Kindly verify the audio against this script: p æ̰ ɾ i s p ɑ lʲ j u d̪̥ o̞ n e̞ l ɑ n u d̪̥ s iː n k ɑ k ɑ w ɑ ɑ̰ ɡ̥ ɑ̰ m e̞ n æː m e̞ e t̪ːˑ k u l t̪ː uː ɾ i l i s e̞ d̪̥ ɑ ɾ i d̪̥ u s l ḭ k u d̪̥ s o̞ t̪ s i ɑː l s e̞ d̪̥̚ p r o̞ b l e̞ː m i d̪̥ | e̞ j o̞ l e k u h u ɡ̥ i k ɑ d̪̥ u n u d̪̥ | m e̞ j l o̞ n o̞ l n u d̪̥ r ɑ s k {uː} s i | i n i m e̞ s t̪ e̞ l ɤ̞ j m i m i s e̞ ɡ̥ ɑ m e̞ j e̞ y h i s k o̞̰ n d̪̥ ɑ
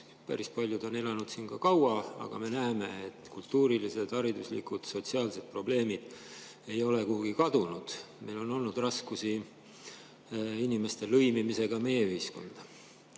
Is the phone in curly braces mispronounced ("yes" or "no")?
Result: yes